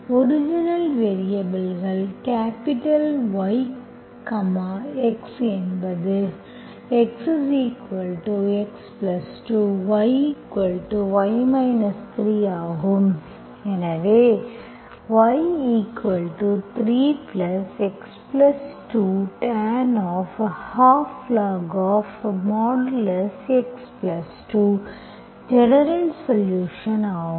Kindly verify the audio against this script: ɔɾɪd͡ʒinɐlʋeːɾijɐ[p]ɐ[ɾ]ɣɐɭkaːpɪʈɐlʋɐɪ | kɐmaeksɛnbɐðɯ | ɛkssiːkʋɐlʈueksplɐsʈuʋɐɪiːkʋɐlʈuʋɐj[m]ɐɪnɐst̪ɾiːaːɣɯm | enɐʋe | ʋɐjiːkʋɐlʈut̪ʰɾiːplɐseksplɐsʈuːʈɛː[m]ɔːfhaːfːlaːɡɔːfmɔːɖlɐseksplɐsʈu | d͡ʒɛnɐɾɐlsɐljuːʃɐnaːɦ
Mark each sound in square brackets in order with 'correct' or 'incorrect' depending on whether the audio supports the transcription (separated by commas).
incorrect, incorrect, correct, incorrect